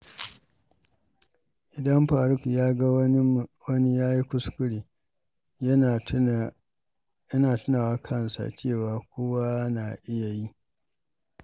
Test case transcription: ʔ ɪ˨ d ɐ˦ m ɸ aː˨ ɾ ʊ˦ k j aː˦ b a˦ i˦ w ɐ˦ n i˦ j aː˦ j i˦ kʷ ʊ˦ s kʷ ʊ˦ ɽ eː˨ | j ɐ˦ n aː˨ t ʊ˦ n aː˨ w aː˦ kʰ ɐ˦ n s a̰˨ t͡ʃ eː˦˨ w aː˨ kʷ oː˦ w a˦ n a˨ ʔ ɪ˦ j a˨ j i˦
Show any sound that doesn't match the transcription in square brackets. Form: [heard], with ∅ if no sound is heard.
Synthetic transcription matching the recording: ʔ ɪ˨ d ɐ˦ m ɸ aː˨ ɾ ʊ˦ k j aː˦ [ɡ] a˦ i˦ w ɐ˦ n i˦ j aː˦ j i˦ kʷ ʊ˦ s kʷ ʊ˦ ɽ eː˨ | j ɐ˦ n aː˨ t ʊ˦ n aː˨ w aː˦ kʰ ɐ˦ n s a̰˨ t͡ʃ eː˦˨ w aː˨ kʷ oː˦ w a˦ n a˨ ʔ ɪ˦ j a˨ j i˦